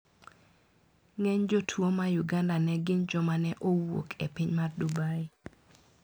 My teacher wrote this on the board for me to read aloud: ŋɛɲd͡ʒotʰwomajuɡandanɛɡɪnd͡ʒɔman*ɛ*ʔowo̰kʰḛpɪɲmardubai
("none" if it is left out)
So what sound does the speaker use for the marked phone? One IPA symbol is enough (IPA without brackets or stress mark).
ɛ